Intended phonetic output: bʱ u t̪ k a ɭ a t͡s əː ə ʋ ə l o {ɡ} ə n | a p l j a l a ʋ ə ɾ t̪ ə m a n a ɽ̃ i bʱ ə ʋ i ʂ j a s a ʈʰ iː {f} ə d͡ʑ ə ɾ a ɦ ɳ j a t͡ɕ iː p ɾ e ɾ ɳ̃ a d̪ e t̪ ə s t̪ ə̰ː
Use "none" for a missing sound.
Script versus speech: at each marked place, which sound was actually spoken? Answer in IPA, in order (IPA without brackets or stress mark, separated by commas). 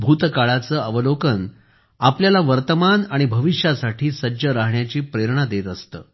k, s